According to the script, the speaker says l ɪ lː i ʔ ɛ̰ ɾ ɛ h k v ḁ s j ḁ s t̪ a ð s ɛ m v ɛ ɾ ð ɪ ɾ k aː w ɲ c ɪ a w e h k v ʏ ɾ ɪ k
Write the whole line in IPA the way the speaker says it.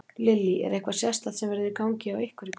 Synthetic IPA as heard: l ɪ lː i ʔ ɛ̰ ɾ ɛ h k v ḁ s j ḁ s t̪ a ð s ɛ m v ɛ ɾ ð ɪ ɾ k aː w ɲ c ɪ a w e h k v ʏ ɾ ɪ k